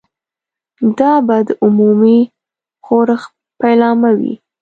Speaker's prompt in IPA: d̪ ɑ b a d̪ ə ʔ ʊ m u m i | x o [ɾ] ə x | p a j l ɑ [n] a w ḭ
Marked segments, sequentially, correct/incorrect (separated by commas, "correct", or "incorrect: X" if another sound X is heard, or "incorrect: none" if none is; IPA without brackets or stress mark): correct, incorrect: m